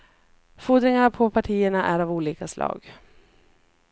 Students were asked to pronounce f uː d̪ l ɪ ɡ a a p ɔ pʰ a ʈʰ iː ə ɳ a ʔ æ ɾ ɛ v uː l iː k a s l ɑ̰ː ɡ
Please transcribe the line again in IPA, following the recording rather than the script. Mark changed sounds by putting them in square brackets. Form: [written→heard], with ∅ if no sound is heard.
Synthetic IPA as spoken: f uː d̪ [l→ɾ] ɪ [ɡ→ŋ] a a [p→pʰ] ɔ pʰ a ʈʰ iː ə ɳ a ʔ æ ɾ [ɛ→a] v uː l iː k a s l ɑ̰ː ɡ